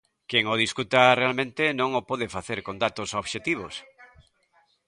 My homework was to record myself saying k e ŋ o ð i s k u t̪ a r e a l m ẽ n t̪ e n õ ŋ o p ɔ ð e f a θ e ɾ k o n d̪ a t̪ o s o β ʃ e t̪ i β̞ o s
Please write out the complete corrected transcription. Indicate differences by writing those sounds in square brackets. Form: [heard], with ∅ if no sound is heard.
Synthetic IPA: k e ŋ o ð i s k u t̪ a r e a l m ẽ n t̪ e n õ ŋ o p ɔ ð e f a θ e ɾ k o n d̪ a t̪ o s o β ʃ e t̪ i β̞ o s